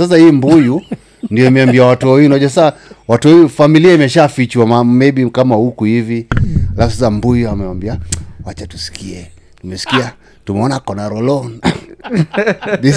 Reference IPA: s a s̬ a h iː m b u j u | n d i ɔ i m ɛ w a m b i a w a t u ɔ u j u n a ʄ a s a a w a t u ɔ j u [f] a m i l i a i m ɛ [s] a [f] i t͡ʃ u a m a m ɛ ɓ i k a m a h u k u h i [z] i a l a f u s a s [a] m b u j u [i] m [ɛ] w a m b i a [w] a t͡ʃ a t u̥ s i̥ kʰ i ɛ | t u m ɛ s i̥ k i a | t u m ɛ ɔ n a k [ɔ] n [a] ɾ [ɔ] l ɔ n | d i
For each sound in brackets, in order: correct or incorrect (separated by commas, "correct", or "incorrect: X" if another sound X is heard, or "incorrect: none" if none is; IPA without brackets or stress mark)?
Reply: correct, incorrect: ʃ, correct, incorrect: v, correct, incorrect: a, correct, correct, correct, correct, correct